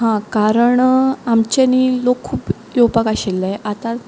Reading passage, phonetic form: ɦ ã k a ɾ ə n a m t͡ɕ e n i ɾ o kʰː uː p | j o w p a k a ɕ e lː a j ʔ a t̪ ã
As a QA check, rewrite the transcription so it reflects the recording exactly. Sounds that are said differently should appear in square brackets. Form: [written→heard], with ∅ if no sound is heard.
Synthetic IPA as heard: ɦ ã k a ɾ ə [n→ɳ] a m t͡ɕ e n i [ɾ→l] o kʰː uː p | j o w p a k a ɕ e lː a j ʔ a t̪ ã